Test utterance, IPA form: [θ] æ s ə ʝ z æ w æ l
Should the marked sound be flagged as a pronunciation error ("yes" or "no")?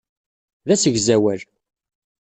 yes